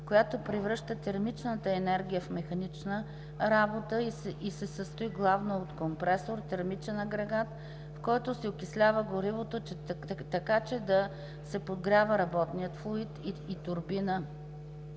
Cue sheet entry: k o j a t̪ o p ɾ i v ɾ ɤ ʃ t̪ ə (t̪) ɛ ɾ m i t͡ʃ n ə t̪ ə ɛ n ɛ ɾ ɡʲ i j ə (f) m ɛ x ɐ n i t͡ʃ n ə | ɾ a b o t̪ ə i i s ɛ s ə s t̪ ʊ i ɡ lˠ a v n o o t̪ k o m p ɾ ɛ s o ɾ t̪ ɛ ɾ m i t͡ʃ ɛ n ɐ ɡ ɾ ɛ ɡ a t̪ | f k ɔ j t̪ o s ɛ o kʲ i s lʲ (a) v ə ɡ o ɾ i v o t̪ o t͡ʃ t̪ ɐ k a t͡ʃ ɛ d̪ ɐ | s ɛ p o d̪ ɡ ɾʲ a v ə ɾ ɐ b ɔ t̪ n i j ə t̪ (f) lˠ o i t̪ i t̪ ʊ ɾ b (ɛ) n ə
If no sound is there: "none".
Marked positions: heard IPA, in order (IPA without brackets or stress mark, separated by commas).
t̪, f, a, f, i